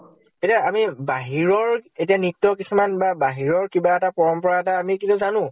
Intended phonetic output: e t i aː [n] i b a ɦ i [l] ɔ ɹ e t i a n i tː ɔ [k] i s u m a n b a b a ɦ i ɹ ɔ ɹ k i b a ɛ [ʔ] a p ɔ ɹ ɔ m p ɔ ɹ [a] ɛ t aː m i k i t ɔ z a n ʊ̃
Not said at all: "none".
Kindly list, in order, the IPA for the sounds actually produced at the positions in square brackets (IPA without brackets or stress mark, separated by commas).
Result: m, ɹ, k, t, a